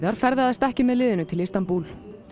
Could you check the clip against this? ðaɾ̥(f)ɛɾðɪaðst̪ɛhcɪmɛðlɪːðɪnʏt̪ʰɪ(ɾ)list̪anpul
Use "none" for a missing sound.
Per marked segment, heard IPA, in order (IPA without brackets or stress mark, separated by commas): f, none